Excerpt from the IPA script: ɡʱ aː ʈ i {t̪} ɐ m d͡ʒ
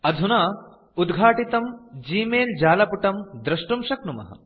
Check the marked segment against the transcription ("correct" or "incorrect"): correct